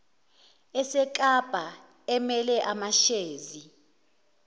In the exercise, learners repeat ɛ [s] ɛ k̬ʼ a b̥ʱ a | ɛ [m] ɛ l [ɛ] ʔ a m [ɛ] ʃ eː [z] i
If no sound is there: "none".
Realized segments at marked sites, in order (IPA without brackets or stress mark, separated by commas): s, m, ɛ, a, z